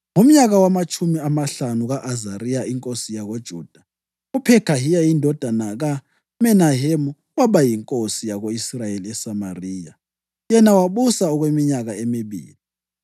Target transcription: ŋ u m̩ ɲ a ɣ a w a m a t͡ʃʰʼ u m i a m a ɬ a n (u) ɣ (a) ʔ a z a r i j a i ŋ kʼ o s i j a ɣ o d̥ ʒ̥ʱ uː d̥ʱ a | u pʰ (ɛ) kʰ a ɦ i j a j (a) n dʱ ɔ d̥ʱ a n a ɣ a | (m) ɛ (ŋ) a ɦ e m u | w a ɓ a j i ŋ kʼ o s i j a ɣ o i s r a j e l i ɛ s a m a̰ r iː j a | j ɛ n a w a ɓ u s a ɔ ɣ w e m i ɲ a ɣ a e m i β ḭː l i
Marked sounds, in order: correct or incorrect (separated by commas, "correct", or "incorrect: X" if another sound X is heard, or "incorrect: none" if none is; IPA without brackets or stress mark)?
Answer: correct, correct, correct, incorrect: i, correct, incorrect: n